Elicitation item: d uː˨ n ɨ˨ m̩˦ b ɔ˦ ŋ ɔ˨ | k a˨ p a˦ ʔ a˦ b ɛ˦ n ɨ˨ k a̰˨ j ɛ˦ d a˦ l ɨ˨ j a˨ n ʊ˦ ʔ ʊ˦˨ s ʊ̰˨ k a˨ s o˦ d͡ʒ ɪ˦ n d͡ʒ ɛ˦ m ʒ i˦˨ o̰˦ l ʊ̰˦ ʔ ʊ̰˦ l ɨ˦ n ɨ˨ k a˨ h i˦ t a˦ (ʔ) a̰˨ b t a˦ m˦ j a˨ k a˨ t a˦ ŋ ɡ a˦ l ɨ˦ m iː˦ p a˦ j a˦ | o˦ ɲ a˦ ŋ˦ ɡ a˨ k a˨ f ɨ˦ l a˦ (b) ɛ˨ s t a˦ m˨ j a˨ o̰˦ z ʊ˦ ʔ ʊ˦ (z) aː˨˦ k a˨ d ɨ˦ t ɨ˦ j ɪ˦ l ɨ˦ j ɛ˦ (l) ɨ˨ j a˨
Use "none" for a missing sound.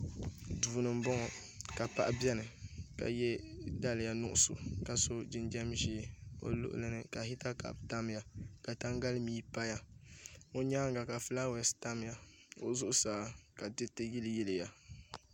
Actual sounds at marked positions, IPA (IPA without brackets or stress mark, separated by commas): k, w, s, l